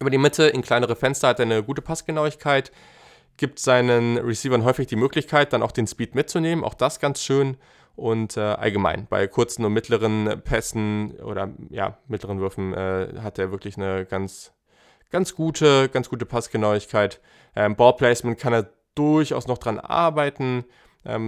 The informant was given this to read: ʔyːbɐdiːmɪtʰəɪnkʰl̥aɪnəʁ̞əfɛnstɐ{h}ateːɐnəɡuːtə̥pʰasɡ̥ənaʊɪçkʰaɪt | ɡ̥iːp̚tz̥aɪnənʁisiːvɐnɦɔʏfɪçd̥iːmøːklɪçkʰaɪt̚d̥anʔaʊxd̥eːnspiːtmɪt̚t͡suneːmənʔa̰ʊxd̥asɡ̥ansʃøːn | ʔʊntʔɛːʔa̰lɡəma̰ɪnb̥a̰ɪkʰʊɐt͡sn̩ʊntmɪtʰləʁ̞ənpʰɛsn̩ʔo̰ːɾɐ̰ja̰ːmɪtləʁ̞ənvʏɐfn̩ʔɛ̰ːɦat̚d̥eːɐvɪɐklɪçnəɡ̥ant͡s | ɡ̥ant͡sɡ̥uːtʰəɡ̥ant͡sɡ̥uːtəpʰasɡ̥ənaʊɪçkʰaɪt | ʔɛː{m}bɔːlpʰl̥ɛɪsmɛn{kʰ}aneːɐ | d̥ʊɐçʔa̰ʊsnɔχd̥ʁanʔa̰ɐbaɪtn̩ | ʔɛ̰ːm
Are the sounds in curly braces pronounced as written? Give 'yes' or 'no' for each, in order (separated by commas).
yes, yes, yes